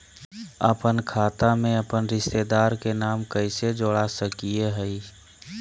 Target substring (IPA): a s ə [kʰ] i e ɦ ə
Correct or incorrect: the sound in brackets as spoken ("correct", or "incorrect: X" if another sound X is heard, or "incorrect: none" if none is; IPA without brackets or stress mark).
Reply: incorrect: k